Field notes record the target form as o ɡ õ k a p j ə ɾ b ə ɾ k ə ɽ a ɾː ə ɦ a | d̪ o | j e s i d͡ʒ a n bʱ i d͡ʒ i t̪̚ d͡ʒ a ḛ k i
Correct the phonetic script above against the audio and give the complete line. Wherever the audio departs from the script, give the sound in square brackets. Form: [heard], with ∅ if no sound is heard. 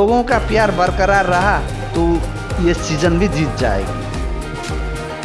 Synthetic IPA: o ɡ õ k a p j [a] ɾ b ə ɾ k ə [ɾ] a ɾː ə ɦ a | [t̪] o | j e s i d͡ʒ [ə] n bʱ i d͡ʒ i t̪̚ d͡ʒ a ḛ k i

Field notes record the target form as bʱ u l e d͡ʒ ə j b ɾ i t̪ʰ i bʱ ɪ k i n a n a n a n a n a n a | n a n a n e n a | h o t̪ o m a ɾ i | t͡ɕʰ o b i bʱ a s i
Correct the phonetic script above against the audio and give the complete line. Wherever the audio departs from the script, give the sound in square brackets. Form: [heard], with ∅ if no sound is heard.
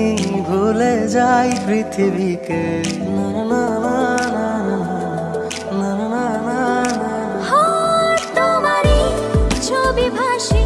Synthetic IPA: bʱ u l e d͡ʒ [a] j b ɾ i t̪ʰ i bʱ [i] k [e] n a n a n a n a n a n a | n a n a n [a] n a | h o t̪ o m a ɾ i | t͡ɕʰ o b i bʱ a [ʃ] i

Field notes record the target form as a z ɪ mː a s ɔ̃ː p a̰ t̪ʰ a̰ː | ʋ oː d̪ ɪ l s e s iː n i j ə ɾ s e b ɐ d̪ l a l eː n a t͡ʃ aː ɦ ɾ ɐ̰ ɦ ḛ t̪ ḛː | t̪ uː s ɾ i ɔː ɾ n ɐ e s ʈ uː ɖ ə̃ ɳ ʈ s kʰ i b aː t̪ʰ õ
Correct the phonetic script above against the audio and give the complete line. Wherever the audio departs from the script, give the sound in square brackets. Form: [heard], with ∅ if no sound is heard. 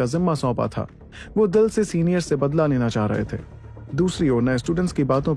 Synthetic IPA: a z ɪ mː a s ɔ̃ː p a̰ t̪ʰ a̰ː | ʋ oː d̪ ɪ l s e s iː n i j ə ɾ s e b ɐ d̪ l a l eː n a t͡ʃ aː ɦ ɾ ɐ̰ ɦ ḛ [t̪ʰ] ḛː | [d̪] uː s ɾ i ɔː ɾ n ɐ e s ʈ uː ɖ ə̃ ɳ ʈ s [k] i b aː [t̪] õ

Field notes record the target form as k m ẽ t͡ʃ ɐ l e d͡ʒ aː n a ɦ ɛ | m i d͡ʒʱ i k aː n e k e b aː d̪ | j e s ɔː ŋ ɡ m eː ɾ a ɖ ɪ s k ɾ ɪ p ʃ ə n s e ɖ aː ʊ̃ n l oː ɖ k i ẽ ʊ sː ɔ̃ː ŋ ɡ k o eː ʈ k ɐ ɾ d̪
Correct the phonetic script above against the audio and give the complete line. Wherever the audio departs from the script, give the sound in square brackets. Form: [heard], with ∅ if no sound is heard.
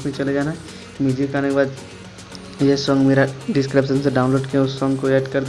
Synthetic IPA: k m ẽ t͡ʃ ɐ l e d͡ʒ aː n a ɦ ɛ | m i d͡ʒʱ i k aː n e k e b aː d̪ | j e s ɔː ŋ ɡ m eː ɾ a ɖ ɪ s k ɾ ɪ p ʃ ə n s e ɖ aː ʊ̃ n l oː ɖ k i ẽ ʊ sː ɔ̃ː ŋ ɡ k o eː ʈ k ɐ ɾ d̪

